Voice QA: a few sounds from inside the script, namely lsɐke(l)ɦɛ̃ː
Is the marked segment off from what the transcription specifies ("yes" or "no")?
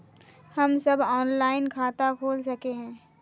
yes